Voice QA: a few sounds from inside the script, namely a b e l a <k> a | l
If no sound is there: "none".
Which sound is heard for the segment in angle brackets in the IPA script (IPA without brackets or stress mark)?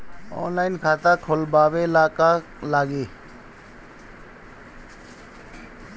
k